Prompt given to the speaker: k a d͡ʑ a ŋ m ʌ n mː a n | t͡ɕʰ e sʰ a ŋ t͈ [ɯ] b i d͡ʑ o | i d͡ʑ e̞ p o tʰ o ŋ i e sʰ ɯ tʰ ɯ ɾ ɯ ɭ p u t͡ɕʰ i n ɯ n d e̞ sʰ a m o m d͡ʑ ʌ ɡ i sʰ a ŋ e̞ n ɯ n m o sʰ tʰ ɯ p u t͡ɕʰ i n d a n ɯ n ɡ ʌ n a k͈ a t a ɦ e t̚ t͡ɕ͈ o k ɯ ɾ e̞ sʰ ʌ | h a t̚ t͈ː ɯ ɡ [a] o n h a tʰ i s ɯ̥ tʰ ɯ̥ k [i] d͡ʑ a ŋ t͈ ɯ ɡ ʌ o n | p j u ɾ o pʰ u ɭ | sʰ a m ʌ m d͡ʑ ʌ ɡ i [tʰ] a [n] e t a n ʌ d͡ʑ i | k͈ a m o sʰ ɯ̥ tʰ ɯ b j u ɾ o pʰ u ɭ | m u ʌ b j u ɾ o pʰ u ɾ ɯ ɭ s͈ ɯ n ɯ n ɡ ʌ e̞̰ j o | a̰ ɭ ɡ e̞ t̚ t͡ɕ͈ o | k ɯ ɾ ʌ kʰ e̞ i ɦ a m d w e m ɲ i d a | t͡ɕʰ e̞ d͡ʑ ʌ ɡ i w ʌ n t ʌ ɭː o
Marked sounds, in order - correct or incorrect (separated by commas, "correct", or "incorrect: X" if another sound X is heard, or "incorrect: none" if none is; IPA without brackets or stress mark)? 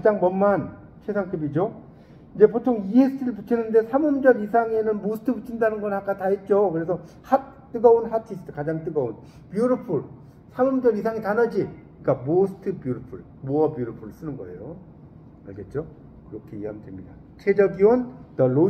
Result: correct, incorrect: ʌ, incorrect: a, incorrect: sʰ, incorrect: ŋ